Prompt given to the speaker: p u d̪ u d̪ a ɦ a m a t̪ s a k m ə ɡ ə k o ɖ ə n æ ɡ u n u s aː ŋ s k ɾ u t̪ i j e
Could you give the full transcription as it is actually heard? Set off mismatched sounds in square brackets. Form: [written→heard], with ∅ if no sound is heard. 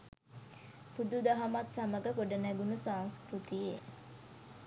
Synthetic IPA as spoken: p u d̪ u d̪ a ɦ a m a t̪ s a [k→∅] m ə ɡ ə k o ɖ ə n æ ɡ u n u s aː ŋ s k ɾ u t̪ i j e